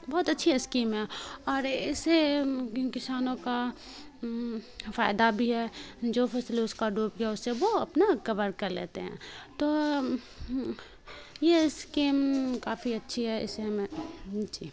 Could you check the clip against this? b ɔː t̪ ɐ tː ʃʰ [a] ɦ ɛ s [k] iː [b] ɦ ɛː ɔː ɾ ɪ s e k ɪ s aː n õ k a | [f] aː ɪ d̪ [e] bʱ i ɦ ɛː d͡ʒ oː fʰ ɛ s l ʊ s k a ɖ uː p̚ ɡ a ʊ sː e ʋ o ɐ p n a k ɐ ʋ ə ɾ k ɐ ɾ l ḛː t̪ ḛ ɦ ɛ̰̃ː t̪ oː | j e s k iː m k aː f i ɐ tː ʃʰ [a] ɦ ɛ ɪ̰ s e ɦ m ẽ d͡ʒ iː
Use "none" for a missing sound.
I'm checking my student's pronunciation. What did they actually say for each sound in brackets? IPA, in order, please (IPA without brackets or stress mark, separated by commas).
i, k, m, f, a, i